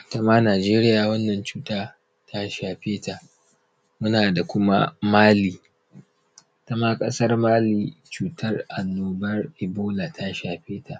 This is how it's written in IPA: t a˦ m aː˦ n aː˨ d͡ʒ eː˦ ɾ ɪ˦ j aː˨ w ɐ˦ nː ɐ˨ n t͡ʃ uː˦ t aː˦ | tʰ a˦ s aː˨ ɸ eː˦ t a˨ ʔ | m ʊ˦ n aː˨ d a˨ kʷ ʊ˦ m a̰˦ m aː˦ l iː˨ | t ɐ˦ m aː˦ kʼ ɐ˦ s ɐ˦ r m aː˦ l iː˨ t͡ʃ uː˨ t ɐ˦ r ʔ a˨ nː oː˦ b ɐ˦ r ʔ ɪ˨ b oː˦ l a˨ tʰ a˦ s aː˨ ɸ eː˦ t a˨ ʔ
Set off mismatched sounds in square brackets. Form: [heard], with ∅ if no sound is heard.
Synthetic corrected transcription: t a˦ m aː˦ n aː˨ d͡ʒ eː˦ ɾ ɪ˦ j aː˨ w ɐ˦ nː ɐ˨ n t͡ʃ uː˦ t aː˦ | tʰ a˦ [ʃ] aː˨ ɸ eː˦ t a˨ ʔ | m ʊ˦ n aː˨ d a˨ kʷ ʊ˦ m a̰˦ m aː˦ l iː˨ | t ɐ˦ m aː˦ kʼ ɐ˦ s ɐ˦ r m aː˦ l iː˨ t͡ʃ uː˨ t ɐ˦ r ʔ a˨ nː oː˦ b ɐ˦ r ʔ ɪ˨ b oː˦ l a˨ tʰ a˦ [ʃ] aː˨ ɸ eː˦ t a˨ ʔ